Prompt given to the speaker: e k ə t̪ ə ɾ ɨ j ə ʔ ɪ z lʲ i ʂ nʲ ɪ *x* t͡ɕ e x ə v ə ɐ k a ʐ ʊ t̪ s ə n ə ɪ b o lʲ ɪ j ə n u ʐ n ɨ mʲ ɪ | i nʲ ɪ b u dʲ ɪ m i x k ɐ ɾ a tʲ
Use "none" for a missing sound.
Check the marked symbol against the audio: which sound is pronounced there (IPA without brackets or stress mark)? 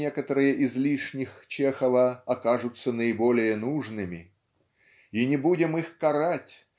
x